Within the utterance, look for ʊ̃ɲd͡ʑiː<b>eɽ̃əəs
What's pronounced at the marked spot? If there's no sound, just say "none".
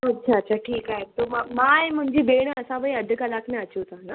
b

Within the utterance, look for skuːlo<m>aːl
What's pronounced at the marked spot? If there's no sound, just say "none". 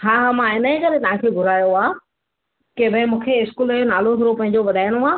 n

